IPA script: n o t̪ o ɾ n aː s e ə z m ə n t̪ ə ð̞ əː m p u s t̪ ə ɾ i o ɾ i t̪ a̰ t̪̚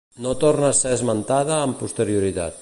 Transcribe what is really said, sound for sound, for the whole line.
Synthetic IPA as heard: n o t̪ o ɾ n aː s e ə z m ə n t̪ a ð̞ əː m p u s t̪ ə ɾ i u ɾ i t̪ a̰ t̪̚